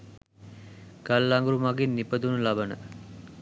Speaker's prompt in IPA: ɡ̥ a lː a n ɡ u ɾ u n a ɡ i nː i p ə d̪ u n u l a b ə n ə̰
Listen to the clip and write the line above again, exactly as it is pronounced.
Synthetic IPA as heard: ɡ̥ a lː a ŋ ɡ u ɾ u m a ɡ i nː i p ə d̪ u n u l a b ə n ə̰